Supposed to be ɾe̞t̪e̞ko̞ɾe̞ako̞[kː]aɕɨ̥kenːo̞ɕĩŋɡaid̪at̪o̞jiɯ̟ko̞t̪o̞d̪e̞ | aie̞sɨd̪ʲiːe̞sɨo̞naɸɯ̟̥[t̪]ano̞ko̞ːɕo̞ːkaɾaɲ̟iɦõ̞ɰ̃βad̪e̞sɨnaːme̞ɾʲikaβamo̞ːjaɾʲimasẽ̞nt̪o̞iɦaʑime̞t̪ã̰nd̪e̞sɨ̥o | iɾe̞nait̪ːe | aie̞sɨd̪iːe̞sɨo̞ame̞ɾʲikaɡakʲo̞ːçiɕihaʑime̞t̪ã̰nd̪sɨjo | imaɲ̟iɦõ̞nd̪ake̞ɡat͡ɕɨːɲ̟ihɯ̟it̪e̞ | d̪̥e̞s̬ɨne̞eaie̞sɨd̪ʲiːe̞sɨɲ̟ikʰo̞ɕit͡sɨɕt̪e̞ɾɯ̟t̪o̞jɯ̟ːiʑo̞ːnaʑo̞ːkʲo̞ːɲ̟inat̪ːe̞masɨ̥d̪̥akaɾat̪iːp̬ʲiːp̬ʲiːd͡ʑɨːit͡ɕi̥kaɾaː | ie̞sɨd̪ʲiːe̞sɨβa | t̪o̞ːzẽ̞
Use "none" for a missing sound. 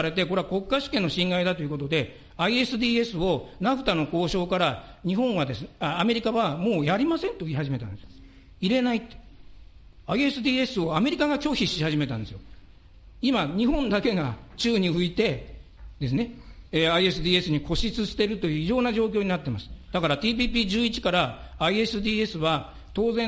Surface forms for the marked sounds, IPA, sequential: kː, t̪

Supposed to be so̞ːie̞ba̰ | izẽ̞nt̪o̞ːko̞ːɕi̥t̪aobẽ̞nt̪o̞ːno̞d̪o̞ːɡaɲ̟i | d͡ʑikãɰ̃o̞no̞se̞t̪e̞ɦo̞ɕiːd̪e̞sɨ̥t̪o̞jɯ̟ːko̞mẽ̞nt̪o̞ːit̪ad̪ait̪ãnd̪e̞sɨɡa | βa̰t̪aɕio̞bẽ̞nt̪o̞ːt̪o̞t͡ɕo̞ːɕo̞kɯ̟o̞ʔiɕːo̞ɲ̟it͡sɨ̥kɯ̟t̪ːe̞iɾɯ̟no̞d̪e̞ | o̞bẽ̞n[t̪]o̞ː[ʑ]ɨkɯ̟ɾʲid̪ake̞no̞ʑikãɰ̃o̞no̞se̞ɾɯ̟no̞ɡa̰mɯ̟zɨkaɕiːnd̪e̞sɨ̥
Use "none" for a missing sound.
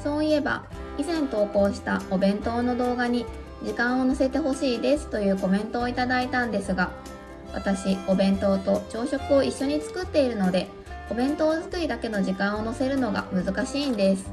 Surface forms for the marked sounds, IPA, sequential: t̪, z

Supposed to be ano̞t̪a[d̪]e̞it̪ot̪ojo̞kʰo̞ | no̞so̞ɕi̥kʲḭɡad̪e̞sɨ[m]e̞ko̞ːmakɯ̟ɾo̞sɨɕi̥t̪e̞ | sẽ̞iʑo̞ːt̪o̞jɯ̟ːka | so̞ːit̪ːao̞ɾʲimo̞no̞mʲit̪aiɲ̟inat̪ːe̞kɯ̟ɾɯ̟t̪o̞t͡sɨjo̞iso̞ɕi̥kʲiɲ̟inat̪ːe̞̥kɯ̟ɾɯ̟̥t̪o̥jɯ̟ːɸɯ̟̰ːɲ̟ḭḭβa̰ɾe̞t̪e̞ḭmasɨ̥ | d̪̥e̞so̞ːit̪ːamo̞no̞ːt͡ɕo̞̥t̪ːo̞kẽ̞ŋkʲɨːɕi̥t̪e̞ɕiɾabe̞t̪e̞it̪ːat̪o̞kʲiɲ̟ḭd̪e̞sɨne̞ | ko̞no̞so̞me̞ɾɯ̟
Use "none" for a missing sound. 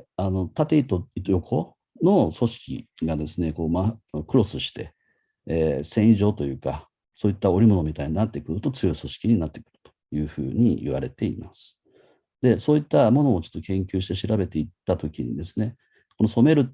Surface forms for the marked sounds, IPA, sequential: t̪, n

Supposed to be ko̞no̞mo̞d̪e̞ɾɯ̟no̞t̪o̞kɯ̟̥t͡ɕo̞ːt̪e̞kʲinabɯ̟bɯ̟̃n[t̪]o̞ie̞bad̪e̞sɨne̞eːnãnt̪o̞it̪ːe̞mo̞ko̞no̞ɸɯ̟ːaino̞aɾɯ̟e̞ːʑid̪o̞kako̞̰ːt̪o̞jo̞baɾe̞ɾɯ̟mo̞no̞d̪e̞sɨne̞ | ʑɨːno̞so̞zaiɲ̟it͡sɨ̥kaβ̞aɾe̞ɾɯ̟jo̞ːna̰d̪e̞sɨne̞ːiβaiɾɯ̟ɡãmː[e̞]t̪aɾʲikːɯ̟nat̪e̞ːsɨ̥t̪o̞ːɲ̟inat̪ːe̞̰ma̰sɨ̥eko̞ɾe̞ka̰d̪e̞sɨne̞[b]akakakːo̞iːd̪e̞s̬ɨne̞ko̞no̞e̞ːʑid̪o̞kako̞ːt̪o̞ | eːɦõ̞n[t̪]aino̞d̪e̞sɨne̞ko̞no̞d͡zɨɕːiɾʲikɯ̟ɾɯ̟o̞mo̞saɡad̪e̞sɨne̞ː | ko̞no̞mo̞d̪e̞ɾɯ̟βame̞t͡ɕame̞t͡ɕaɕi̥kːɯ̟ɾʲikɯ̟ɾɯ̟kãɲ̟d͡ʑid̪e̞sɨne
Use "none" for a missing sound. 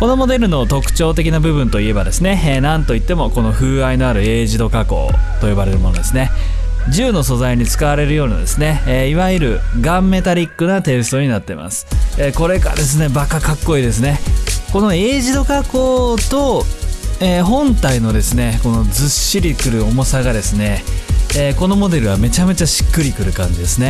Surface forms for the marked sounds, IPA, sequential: t̪, e̞, b, t̪

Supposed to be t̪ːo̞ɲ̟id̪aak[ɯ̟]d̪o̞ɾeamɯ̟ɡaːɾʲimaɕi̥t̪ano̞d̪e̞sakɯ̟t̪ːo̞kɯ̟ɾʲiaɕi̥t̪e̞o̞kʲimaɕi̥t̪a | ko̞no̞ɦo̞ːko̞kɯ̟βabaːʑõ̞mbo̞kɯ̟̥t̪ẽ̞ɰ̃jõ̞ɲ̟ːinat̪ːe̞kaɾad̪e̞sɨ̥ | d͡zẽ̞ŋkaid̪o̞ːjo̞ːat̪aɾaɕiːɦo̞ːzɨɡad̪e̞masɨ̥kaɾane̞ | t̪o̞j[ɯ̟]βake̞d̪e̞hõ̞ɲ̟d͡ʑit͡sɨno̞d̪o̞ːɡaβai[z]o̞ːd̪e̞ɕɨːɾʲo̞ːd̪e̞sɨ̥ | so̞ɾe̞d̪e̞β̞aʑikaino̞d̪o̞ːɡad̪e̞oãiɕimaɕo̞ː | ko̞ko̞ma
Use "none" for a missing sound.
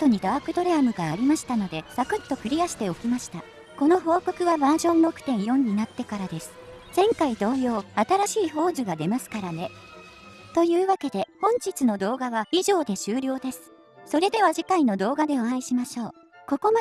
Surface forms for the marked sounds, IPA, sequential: ɯ̟, ɯ̟ː, ʑ

